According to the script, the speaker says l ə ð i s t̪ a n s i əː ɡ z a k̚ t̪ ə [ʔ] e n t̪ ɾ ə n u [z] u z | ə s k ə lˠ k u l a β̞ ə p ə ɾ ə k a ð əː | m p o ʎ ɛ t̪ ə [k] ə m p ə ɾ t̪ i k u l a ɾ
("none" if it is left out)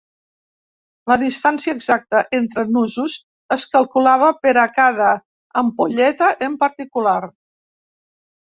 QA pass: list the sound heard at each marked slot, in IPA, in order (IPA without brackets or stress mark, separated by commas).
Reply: ʔ, z, ʔ